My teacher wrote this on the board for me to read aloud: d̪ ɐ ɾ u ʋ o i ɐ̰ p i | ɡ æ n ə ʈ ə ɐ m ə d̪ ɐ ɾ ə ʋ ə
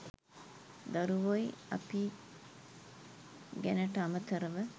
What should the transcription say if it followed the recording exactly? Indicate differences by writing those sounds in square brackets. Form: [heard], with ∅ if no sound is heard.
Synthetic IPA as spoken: d̪ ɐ ɾ u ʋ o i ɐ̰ p i | ɡ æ n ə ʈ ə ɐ m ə [t̪] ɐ ɾ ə ʋ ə